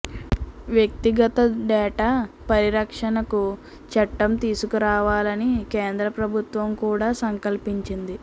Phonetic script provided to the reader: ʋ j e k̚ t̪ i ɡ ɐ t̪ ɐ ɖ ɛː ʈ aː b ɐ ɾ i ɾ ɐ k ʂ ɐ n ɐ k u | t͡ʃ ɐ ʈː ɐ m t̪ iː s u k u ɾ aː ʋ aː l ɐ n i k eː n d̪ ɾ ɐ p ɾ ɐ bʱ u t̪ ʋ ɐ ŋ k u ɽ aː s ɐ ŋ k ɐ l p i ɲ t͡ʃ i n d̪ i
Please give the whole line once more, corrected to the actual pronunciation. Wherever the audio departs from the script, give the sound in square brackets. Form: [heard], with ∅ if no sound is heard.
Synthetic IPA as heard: ʋ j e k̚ t̪ i ɡ ɐ t̪ ɐ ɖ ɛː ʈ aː [p] ɐ ɾ i ɾ ɐ k ʂ ɐ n ɐ k u | t͡ʃ ɐ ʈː ɐ m t̪ iː s u k u ɾ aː ʋ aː l ɐ n i k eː n d̪ ɾ ɐ p ɾ ɐ bʱ u t̪ ʋ ɐ [m] k [uː] ɽ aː s ɐ ŋ k ɐ l p i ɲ t͡ʃ i n d̪ i